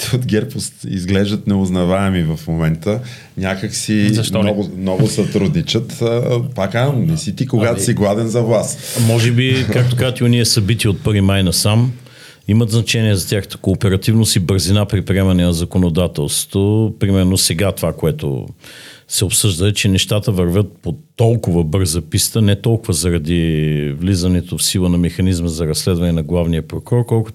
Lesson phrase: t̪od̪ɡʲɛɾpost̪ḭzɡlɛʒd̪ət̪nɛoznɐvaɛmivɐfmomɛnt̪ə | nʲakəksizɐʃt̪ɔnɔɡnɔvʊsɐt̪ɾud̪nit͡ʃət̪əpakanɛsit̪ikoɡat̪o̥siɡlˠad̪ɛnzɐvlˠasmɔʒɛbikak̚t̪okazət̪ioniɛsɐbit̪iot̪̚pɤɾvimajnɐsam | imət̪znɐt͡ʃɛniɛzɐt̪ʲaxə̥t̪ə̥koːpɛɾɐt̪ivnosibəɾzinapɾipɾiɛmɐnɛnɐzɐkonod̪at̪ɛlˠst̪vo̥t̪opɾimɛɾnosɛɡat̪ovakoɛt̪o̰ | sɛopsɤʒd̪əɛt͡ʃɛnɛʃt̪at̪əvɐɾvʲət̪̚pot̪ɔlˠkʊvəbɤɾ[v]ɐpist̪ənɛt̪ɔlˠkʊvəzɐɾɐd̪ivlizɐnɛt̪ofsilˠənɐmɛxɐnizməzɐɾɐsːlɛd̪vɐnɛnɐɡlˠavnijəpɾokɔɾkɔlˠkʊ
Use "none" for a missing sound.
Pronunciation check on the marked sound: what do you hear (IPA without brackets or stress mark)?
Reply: z